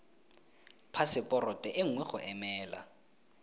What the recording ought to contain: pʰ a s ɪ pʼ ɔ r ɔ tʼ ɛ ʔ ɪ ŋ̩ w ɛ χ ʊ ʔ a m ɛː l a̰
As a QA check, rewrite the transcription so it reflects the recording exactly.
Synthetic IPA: pʰ a s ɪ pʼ ɔ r ɔ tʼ ɛ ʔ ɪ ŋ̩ w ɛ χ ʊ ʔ ɛ m ɛː l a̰

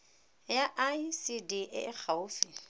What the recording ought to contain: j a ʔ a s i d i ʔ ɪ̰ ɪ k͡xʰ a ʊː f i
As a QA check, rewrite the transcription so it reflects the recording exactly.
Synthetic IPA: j a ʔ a s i d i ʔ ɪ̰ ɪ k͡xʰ a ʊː f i

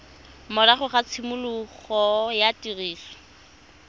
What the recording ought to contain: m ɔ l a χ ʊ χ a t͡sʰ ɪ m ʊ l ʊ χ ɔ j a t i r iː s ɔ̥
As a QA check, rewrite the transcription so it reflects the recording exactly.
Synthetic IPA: m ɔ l a χ ʊ χ a t͡sʰ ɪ m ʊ l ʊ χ ɔ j a t i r iː s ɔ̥

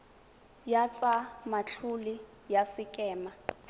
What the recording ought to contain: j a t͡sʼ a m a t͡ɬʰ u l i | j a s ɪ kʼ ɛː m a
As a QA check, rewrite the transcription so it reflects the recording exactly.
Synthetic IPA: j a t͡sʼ a m a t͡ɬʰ u l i | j a s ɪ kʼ ɛː m a

